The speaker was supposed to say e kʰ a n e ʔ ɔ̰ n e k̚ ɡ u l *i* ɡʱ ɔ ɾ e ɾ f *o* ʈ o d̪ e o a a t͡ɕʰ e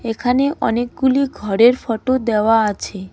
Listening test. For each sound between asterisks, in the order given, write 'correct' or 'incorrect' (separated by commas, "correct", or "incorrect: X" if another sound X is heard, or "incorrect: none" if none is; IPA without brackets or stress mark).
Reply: correct, incorrect: ɔ